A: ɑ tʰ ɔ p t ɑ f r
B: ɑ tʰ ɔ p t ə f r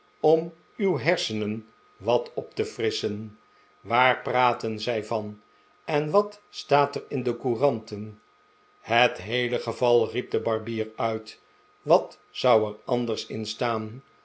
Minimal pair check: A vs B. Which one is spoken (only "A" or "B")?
B